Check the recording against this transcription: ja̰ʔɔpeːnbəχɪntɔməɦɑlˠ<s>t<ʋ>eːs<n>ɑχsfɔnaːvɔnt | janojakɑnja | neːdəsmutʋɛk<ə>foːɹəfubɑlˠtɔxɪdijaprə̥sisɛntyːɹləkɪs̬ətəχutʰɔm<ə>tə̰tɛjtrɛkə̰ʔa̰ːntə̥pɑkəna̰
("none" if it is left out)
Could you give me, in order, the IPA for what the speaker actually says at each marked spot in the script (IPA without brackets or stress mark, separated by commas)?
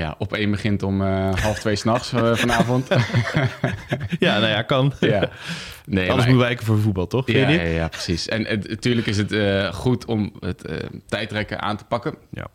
f, ʋ, n, ə, ə